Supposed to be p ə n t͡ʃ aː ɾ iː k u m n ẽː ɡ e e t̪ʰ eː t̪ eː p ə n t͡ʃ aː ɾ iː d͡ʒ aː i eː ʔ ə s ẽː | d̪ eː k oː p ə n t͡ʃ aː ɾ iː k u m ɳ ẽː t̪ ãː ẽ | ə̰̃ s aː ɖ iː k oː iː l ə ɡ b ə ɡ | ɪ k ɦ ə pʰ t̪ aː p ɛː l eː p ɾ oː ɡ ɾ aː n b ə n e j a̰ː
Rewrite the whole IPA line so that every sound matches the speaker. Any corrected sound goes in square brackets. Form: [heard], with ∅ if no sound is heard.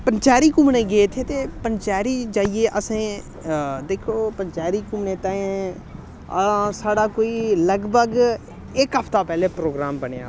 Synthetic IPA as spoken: p ə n t͡ʃ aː ɾ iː k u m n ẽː ɡ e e t̪ʰ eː t̪ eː p ə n t͡ʃ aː ɾ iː d͡ʒ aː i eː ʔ ə s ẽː | d̪ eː [kʰ] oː p ə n t͡ʃ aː ɾ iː k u m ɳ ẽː t̪ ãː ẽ | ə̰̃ s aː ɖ [aː] k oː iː l ə ɡ b ə ɡ | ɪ k ɦ ə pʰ t̪ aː p ɛː l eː p ɾ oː ɡ ɾ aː [m] b ə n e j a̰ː

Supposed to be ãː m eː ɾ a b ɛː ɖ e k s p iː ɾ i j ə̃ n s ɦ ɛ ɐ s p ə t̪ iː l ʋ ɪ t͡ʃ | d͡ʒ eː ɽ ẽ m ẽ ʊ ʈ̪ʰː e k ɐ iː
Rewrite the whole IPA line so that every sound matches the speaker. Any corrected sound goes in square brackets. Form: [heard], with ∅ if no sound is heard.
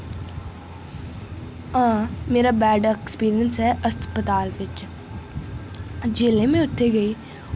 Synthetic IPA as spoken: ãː m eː ɾ a b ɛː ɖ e k s p iː ɾ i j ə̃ n s ɦ ɛ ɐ s p ə t̪ [aː] l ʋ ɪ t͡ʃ | d͡ʒ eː [l] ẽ m ẽ ʊ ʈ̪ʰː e [ɡ] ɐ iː

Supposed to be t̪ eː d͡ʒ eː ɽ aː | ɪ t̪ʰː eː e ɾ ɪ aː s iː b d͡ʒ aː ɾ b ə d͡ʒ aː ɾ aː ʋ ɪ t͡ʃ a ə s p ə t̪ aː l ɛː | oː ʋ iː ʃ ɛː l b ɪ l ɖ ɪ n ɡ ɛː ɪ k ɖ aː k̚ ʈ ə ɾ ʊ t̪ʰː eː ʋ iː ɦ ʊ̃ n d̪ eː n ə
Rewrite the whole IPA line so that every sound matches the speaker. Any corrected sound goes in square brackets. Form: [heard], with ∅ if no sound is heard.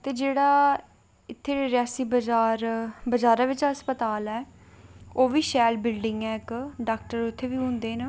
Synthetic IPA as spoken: t̪ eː d͡ʒ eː ɽ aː | ɪ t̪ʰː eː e ɾ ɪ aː s iː b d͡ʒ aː ɾ b ə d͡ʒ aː ɾ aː ʋ ɪ t͡ʃ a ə s p ə t̪ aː l ɛː | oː ʋ iː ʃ ɛː l b ɪ l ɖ ɪ [ŋ] ɡ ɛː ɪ k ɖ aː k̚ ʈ ə ɾ ʊ t̪ʰː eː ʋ iː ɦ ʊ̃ n d̪ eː n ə

